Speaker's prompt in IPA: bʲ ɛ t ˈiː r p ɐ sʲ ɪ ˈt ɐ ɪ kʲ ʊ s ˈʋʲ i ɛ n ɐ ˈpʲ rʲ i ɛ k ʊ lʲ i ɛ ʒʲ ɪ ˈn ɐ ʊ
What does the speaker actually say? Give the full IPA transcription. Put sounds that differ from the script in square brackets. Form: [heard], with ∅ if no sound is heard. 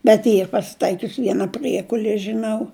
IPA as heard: bʲ ɛ t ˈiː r p ɐ sʲ ɪ ˈt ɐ ɪ kʲ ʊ s ˈʋʲ i ɛ n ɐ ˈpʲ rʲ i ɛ k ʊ lʲ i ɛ ʒʲ ɪ ˈn ɐ ʊ